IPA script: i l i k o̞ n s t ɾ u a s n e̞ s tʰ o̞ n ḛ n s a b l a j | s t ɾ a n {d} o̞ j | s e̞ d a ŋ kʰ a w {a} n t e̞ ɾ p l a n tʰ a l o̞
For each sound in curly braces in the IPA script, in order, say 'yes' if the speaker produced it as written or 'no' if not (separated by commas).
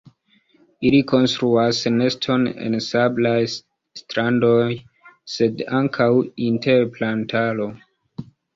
yes, no